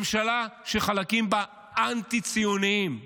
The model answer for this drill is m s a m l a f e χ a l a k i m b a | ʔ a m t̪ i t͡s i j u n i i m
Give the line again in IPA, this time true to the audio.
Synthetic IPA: m ʃ a l a ʃ e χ a l a k i m b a | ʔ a n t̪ i t͡s i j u n i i m

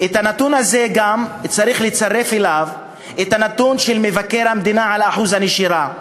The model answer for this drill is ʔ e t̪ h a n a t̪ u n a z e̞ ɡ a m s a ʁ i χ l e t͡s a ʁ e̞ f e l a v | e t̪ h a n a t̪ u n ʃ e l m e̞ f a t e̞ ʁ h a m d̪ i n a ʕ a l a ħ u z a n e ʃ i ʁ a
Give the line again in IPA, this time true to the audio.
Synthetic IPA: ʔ e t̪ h a n a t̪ u n a z e̞ ɡ a m t͡s a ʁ i χ l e t͡s a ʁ e̞ f e l a v | e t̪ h a n a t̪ u n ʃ e l m e̞ v a k e̞ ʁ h a m d̪ i n a ʕ a l a ħ u z a n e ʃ i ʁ a

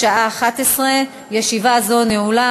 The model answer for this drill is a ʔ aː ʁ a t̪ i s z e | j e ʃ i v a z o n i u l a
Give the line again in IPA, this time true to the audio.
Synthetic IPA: a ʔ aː χ a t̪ e s ʁ e | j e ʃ i v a z o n e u l a

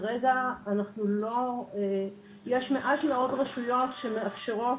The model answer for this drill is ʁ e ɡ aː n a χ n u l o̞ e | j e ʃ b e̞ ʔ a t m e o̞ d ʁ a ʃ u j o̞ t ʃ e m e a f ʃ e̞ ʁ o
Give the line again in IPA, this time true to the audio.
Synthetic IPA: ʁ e ɡ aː n a χ n u l o̞ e | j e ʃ m e̞ ʔ a t m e o̞ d ʁ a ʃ u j o̞ t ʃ e m e a f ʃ e̞ ʁ o

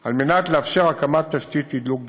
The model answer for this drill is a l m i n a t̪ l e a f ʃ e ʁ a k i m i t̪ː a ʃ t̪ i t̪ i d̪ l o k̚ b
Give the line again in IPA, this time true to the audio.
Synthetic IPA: a l m e n a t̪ l e a f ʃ e ʁ a k a m a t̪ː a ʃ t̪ i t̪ i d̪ l u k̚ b

